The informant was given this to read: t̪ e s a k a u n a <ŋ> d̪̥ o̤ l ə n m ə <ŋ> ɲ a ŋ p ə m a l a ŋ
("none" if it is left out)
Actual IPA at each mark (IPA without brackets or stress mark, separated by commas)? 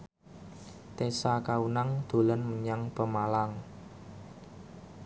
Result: ŋ, none